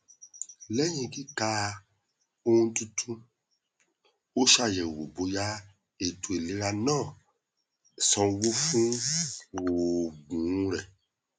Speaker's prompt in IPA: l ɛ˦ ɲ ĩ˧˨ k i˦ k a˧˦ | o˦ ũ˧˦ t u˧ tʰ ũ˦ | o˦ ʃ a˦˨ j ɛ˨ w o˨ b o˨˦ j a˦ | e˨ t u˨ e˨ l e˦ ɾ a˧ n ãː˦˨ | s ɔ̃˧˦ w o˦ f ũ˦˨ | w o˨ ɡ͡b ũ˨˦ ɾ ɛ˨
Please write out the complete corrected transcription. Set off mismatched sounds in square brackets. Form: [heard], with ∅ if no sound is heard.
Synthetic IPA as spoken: l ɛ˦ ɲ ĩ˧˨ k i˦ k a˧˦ | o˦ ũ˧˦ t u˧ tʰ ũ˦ | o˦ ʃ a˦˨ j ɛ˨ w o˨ b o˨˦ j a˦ | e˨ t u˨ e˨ l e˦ ɾ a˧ n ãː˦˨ | s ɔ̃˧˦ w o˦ f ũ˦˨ | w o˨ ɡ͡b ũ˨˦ ɾ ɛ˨